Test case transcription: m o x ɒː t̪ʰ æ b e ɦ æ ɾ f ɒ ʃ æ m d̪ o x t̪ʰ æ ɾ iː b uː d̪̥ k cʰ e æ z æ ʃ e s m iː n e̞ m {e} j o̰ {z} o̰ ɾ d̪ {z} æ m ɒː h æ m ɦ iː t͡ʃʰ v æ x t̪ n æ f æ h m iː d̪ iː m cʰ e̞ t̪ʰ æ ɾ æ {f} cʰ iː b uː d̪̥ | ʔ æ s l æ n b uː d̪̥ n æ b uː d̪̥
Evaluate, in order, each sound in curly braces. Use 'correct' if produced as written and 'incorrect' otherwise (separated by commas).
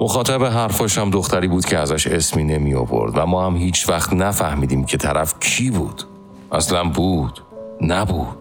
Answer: incorrect, incorrect, incorrect, correct